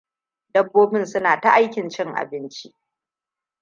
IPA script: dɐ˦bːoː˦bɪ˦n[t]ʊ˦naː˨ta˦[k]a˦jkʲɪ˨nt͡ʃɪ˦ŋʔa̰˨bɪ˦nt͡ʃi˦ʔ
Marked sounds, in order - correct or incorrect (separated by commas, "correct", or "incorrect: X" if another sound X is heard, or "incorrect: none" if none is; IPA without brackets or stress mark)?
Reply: incorrect: s, incorrect: ʔ